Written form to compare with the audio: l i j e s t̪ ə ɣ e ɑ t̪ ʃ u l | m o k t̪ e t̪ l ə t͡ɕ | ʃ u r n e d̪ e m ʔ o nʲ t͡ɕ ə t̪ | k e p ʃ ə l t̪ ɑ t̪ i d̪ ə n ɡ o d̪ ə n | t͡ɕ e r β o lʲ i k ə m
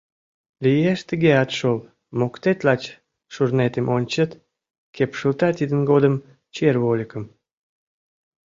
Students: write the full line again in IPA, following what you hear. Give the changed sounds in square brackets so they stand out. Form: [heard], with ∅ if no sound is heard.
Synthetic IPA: l i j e [ʃ] t̪ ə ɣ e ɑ t̪ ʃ [o] l | m o k t̪ e t̪ l [ɑ] t͡ɕ | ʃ u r n e [t̪] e m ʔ o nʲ t͡ɕ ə t̪ | k e p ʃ ə l t̪ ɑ t̪ i d̪ ə n ɡ o d̪ ə [m] | t͡ɕ e r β o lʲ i k ə m